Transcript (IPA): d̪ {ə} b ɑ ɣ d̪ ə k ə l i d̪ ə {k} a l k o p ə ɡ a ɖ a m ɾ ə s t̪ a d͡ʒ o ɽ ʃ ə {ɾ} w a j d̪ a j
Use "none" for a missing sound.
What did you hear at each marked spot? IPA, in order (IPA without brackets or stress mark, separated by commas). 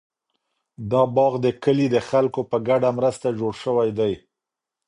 ɑ, x, none